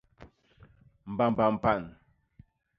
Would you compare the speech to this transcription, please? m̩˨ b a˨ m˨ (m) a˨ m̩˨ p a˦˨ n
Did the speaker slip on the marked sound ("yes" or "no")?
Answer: yes